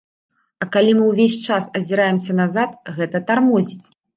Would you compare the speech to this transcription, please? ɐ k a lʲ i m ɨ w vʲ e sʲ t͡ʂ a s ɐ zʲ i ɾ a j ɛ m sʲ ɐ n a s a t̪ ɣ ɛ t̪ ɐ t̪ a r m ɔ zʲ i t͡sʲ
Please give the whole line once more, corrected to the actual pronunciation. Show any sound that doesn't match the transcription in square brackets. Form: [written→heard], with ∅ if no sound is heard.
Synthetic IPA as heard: ɐ k a lʲ i m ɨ w vʲ e sʲ t͡ʂ a s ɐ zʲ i ɾ a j ɛ m sʲ ɐ n a [s→z] a t̪ ɣ ɛ t̪ ɐ t̪ a r m ɔ zʲ i t͡sʲ